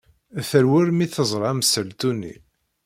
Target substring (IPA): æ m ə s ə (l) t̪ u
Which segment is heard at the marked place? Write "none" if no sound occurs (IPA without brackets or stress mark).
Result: l